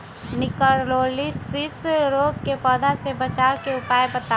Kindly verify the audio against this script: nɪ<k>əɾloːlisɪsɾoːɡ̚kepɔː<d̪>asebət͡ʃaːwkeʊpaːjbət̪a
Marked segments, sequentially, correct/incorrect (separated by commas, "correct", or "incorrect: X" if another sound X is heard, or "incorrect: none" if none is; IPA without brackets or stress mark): correct, correct